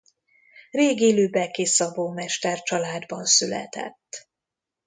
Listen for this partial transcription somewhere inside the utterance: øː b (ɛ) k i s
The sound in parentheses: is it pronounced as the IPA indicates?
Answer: yes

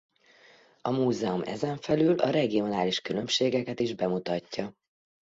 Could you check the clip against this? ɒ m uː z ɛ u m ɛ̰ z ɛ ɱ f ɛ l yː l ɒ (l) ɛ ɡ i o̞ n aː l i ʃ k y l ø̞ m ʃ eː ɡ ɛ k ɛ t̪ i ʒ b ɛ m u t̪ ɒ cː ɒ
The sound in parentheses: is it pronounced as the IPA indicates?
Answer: no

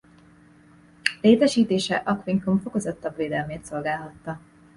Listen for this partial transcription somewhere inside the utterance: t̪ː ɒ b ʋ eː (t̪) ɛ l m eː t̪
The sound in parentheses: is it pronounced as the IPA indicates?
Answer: no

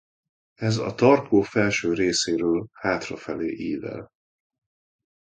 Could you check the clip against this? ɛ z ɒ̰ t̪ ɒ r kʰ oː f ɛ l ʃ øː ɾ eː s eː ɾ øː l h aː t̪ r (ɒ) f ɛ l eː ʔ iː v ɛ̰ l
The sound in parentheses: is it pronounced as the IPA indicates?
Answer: yes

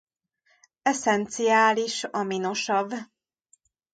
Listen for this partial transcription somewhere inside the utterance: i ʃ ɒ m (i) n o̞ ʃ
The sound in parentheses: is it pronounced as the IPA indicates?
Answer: yes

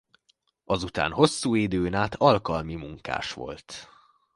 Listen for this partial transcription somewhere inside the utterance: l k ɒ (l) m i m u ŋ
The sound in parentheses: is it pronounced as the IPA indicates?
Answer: yes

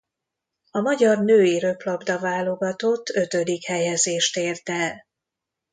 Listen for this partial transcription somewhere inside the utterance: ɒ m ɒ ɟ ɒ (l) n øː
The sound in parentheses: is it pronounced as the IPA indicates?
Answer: no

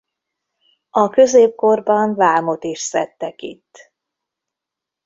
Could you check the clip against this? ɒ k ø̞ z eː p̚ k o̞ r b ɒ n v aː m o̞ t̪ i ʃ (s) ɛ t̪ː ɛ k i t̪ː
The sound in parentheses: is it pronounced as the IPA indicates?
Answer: yes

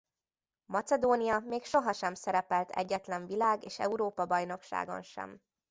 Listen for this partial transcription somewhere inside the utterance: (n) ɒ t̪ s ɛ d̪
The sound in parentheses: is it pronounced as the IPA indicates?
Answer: no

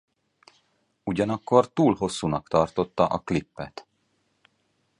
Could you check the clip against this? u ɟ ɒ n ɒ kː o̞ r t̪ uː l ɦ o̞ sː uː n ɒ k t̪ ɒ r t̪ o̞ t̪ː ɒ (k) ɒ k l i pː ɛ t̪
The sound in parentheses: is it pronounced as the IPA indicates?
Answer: no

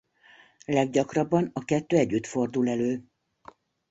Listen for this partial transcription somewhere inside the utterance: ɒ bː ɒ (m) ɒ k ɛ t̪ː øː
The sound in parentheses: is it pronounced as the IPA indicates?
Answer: no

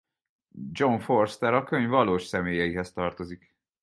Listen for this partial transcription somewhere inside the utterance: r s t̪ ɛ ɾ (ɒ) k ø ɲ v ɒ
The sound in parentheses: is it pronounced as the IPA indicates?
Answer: yes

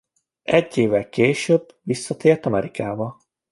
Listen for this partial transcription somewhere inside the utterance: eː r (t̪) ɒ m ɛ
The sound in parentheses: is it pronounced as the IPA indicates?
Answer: yes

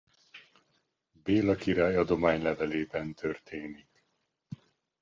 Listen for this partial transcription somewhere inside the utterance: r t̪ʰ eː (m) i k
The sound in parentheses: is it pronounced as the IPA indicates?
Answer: no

